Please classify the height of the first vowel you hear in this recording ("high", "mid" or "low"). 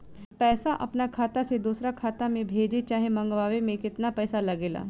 mid